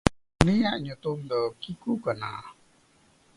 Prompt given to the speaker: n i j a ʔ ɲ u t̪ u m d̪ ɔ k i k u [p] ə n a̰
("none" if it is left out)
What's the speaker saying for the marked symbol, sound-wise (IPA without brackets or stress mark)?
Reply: k